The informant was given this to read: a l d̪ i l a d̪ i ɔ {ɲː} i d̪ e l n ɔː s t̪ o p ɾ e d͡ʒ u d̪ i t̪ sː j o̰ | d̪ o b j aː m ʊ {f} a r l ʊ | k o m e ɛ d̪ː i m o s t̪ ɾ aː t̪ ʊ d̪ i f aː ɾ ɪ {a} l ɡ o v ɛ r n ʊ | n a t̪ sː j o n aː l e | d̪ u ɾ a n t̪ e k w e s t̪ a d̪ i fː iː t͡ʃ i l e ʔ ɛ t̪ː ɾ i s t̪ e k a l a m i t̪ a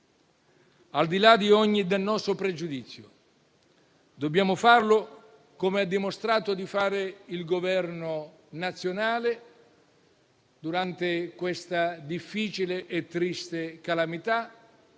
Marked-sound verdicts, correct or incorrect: correct, correct, incorrect

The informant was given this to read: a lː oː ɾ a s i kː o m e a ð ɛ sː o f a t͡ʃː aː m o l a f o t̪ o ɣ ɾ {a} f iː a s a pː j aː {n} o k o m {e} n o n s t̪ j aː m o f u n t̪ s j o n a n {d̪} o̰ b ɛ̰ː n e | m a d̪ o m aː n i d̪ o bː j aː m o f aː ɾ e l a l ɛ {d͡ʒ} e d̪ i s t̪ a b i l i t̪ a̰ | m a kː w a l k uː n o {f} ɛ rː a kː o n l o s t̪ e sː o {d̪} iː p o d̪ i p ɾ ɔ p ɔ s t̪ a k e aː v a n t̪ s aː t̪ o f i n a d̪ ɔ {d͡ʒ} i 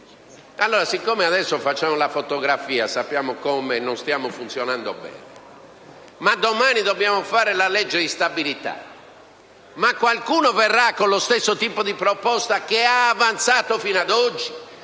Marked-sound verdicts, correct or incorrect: correct, incorrect, correct, correct, incorrect, incorrect, incorrect, incorrect

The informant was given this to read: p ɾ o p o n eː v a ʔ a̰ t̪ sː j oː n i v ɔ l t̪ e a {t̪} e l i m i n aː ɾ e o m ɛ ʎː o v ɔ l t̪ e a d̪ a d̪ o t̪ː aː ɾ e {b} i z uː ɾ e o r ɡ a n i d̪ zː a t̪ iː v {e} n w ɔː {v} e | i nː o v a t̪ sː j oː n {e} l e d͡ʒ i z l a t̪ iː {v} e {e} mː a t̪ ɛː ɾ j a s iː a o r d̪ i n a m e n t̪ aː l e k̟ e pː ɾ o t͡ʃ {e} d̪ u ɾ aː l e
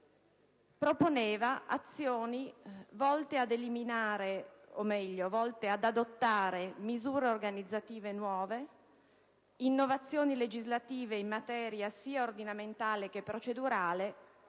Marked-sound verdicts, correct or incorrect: incorrect, incorrect, correct, correct, incorrect, correct, incorrect, correct

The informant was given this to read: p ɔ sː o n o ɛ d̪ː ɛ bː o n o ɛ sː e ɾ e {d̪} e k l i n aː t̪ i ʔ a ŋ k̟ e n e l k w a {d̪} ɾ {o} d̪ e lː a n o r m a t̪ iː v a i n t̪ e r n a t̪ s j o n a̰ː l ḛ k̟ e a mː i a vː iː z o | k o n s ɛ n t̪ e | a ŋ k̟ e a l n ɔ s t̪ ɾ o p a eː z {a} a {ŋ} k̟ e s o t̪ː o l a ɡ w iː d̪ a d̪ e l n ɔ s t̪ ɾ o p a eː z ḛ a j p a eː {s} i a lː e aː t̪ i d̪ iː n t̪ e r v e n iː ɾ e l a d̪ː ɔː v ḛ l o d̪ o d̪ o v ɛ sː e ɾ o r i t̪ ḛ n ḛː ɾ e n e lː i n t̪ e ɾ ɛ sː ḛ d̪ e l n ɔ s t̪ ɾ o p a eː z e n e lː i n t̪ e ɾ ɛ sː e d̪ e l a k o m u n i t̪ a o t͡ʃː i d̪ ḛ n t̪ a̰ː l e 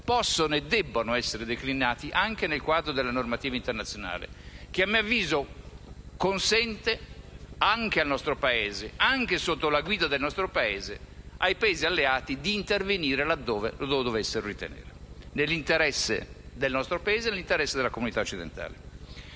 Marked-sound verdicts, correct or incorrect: correct, correct, correct, incorrect, correct, incorrect

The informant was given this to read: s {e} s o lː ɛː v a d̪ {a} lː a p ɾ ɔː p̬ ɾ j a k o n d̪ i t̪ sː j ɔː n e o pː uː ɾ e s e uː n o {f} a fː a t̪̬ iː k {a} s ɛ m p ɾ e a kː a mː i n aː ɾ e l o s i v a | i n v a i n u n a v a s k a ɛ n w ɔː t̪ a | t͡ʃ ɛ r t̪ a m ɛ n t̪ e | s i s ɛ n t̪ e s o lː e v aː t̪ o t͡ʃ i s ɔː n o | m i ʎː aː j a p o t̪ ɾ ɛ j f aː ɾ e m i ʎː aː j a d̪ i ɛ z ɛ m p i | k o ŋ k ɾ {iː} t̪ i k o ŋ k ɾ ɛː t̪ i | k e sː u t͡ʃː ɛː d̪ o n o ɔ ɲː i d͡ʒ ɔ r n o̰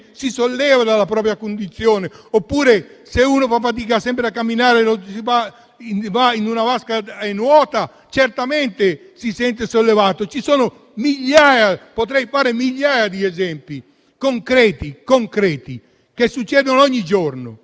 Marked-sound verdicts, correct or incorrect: incorrect, correct, correct, correct, incorrect

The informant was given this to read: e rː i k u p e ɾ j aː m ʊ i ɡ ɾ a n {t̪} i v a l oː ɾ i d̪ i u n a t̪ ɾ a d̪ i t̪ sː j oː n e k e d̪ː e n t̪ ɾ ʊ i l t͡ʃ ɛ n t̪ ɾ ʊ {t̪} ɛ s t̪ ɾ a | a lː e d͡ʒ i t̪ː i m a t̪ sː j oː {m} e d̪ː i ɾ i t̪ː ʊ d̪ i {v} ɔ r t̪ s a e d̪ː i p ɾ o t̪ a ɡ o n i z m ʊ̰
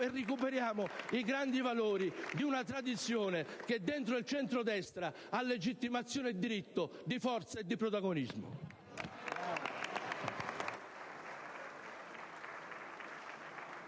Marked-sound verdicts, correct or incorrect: incorrect, incorrect, incorrect, incorrect

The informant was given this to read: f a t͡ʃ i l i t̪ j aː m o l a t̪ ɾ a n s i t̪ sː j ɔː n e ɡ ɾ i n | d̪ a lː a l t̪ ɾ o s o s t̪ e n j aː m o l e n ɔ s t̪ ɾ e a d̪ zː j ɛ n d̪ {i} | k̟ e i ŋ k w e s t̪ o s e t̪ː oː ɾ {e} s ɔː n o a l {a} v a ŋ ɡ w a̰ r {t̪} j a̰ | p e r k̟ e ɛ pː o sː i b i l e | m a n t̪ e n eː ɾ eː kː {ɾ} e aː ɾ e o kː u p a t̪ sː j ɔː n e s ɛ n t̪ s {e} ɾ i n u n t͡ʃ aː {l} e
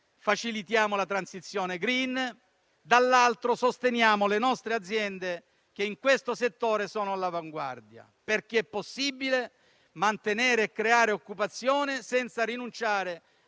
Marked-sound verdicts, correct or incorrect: incorrect, correct, correct, incorrect, correct, incorrect, incorrect

